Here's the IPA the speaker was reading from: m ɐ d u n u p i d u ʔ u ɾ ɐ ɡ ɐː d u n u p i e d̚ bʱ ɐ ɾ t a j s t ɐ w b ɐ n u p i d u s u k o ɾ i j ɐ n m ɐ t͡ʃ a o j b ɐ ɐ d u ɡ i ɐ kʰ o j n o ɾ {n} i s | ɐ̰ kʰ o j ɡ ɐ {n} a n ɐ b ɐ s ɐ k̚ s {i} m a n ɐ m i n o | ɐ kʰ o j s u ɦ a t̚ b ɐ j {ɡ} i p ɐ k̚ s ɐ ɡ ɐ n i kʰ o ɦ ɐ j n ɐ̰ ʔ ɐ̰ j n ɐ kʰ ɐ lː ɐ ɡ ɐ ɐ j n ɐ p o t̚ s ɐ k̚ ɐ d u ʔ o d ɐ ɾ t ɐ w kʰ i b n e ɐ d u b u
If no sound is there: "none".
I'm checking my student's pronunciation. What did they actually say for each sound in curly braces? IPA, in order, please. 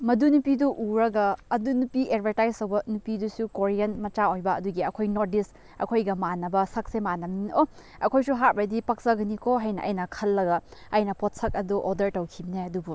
d, m, e, d

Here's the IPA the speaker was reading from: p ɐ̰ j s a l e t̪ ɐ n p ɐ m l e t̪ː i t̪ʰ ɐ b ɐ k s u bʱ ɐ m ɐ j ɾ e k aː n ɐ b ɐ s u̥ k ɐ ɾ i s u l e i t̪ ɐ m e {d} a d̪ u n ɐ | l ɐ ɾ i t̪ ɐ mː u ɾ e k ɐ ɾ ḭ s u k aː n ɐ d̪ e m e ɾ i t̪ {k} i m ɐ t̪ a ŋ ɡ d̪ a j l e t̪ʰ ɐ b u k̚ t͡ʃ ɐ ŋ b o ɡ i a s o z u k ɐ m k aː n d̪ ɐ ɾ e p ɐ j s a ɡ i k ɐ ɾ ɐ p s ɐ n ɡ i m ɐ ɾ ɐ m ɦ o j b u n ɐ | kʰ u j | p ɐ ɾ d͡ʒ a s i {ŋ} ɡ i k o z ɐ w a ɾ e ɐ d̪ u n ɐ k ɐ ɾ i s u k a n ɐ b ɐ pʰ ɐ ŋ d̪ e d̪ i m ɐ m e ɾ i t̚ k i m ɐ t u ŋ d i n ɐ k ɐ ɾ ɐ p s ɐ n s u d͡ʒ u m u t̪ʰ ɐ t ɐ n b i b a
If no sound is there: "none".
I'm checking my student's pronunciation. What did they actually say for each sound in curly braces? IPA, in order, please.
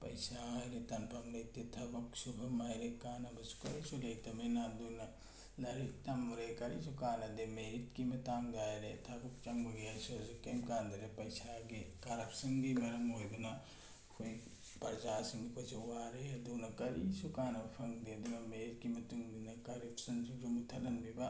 n, k, ŋ

